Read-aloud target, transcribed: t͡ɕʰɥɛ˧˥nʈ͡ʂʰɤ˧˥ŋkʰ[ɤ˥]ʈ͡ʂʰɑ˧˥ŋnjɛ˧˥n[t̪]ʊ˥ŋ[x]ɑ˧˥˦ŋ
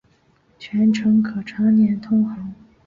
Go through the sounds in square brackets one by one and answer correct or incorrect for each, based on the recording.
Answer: incorrect: ɤ˨˩, incorrect: t̪ʰ, correct

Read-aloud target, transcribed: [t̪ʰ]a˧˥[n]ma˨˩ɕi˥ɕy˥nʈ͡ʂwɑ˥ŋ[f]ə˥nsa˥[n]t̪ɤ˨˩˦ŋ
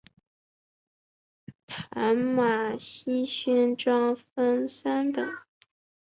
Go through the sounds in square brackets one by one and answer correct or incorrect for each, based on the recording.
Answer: correct, correct, correct, correct

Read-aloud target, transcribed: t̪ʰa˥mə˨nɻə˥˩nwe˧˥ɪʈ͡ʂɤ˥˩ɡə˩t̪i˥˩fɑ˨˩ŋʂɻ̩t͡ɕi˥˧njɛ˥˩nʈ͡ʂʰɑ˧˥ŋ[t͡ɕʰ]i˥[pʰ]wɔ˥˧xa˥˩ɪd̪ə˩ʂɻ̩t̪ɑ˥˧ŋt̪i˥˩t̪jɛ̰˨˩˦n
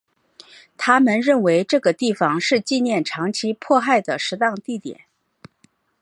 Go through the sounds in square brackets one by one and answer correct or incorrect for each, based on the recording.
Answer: correct, correct

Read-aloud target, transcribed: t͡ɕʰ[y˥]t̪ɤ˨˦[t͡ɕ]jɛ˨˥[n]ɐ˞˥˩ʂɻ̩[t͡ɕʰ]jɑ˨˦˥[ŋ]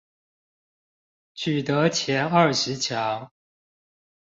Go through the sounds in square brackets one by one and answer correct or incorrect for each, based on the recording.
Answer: incorrect: y˨˩, incorrect: t͡ɕʰ, correct, correct, correct

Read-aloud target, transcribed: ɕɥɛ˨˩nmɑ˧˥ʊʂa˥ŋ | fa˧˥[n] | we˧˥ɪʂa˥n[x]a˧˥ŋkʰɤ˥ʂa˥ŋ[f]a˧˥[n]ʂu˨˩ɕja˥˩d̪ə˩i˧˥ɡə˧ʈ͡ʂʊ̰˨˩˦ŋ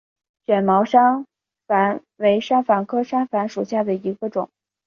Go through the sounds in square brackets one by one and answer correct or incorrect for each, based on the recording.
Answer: correct, incorrect: f, correct, correct

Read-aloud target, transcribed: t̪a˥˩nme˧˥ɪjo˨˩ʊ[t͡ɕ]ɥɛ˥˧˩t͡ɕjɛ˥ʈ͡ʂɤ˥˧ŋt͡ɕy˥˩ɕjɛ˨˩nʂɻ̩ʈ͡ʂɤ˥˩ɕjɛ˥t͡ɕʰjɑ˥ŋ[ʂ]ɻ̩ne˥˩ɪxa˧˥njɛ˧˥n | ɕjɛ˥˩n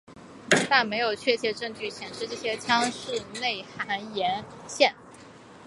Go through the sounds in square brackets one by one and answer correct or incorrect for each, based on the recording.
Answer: incorrect: t͡ɕʰ, correct

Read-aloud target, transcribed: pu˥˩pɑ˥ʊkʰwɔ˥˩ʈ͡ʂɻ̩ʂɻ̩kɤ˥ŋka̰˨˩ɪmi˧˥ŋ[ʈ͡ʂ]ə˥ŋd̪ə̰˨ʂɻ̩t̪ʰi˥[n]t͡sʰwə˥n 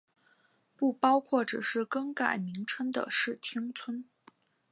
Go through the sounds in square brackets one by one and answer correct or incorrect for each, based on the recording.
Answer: incorrect: ʈ͡ʂʰ, incorrect: ŋ

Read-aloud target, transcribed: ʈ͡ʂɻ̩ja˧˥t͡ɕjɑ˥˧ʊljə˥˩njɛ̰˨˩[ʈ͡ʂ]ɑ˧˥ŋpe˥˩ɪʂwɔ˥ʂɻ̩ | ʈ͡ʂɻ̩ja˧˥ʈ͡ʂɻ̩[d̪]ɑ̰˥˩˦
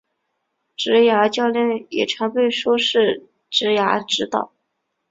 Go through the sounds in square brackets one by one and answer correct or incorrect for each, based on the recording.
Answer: incorrect: ʈ͡ʂʰ, incorrect: t̪

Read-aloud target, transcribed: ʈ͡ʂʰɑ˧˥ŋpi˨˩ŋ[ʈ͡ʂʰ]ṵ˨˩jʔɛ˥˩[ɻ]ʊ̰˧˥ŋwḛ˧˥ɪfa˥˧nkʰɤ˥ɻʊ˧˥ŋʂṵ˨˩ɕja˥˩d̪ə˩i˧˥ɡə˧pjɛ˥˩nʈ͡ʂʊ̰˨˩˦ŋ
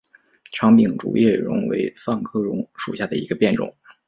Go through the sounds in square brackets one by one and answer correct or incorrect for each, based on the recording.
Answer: incorrect: ʈ͡ʂ, correct

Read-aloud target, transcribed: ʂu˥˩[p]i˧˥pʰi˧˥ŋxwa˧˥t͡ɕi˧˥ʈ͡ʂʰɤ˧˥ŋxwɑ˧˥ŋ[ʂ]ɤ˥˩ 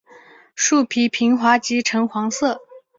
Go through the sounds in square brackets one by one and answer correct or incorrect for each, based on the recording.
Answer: incorrect: pʰ, incorrect: s

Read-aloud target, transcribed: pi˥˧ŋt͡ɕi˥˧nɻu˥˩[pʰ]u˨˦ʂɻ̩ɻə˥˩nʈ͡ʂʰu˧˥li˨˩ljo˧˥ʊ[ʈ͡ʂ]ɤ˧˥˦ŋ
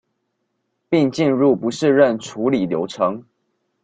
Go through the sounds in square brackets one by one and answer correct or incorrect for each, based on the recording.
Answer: incorrect: p, incorrect: ʈ͡ʂʰ

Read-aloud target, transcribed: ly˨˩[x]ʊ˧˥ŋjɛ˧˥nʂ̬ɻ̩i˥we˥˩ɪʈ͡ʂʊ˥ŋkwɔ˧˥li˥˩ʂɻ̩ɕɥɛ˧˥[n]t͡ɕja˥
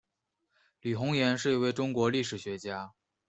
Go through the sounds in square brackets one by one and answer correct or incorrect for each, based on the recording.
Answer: correct, incorrect: none

